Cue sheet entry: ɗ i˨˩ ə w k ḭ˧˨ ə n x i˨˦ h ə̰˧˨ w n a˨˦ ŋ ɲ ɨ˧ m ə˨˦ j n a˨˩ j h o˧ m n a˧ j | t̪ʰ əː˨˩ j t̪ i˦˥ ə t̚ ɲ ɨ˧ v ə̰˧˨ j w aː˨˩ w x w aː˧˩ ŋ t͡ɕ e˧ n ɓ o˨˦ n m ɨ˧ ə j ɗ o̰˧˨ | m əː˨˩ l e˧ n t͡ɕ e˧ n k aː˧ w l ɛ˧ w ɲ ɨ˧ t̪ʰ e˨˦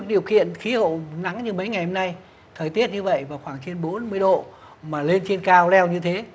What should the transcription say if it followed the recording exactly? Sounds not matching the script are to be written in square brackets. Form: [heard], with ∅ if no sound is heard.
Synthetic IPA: ɗ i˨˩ ə w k ḭ˧˨ ə n x i˨˦ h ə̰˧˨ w n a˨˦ ŋ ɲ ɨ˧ m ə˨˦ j [ŋ] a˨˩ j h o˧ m n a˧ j | t̪ʰ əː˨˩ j t̪ i˦˥ ə t̚ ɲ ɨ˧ v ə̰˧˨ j [v] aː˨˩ w x w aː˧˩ ŋ t͡ɕ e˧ n ɓ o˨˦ n m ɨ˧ ə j ɗ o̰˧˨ | m [aː˨˩] l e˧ n t͡ɕ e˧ n k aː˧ w l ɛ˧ w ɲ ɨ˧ t̪ʰ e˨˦